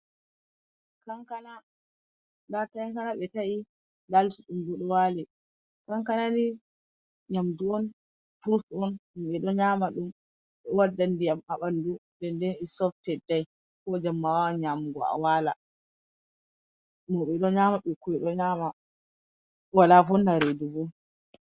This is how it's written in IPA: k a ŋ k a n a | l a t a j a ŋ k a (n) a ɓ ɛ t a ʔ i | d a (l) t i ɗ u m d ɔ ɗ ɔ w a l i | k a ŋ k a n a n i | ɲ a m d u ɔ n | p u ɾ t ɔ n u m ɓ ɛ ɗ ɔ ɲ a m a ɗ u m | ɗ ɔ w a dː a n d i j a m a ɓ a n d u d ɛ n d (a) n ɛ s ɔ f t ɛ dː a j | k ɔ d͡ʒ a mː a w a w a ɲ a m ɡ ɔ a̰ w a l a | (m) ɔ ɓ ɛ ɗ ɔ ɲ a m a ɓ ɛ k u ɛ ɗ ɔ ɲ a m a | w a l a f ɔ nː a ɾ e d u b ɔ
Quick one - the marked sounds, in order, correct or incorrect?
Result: correct, correct, incorrect, correct

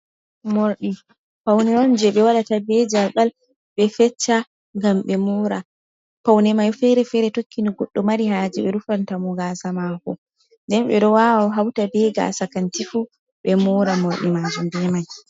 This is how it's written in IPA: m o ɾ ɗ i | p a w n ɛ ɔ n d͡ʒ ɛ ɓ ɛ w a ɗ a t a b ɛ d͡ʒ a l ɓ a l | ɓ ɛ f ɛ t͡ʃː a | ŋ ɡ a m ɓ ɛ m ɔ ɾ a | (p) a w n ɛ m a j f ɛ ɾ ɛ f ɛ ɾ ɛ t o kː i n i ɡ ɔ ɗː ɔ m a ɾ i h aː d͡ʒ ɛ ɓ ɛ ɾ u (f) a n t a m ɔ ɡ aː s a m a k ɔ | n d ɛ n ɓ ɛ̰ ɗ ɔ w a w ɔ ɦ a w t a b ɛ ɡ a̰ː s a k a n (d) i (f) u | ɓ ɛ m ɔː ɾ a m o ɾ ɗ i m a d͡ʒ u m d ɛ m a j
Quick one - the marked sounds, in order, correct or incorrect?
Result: correct, correct, incorrect, correct

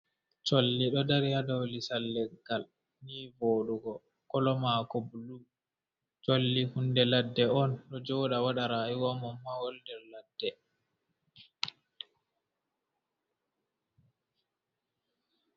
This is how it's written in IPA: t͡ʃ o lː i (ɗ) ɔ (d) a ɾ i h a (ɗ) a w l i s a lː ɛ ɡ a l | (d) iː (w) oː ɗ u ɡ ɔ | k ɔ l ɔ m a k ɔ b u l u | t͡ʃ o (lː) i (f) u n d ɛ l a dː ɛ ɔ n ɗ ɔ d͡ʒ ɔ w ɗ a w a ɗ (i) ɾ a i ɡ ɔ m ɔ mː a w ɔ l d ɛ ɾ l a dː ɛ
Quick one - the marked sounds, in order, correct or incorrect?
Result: correct, correct, incorrect, incorrect, incorrect, correct, incorrect, incorrect

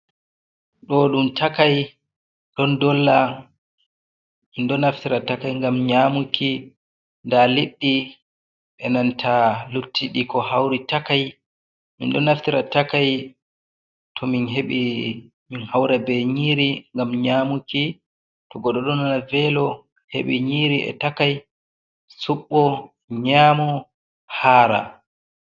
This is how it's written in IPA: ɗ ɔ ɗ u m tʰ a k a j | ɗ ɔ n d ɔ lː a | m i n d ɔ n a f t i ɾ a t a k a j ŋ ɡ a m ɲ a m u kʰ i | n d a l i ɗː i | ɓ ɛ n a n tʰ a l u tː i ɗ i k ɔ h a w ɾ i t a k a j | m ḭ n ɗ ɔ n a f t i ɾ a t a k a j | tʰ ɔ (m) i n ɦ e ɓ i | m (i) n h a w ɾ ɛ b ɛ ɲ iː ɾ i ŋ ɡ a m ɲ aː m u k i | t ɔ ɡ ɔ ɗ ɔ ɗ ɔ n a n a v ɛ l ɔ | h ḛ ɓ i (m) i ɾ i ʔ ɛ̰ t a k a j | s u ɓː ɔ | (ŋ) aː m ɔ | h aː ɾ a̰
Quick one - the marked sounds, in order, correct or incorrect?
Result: correct, correct, incorrect, incorrect

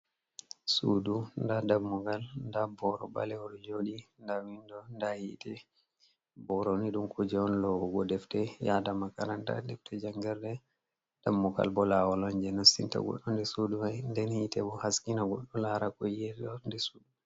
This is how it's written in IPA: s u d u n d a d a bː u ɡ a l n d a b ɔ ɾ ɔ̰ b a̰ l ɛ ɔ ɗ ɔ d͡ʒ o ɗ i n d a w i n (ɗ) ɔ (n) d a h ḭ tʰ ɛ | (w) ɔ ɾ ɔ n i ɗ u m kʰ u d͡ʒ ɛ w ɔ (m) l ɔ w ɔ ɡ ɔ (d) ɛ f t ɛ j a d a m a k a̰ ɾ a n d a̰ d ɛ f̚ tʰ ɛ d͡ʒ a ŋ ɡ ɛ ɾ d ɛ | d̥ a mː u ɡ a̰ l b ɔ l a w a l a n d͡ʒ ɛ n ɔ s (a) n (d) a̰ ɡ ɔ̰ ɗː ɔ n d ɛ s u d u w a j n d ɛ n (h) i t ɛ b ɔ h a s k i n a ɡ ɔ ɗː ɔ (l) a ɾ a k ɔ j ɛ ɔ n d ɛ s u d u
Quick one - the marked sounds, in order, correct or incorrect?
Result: incorrect, correct, incorrect, incorrect, correct, incorrect, incorrect, correct, correct

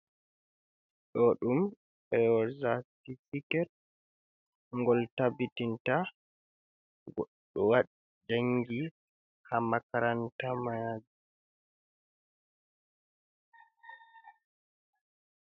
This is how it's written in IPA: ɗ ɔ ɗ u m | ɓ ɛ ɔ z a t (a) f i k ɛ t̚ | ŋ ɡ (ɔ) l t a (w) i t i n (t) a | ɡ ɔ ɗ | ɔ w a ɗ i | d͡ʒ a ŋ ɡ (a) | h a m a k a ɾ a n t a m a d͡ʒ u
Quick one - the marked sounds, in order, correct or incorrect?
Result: incorrect, correct, incorrect, correct, incorrect

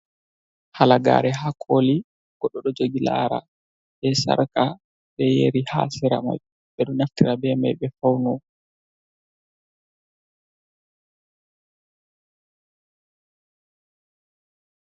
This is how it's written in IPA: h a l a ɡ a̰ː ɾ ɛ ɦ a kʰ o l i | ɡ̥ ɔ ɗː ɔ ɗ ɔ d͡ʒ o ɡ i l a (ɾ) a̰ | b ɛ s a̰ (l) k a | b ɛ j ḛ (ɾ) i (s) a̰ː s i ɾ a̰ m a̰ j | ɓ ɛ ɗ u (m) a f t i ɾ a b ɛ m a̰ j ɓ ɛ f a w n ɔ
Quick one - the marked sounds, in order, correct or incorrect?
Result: correct, incorrect, correct, incorrect, incorrect

